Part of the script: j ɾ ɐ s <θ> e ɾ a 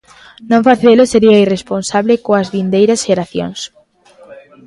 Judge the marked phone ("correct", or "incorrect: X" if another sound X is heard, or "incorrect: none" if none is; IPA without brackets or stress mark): incorrect: ʃ